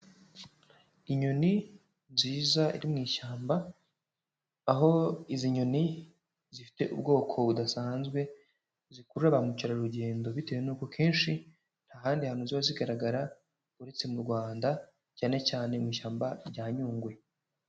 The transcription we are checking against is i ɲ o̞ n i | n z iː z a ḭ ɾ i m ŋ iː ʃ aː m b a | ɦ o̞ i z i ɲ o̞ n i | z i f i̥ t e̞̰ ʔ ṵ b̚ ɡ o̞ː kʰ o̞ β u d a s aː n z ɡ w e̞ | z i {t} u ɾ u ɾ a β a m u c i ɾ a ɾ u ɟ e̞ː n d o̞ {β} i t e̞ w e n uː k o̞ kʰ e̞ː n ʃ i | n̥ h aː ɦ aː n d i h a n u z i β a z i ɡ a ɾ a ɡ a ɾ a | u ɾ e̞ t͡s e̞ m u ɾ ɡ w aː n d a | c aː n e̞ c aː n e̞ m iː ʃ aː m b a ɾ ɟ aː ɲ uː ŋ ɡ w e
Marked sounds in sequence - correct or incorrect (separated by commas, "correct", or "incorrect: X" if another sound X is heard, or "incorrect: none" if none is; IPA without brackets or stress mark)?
incorrect: k, correct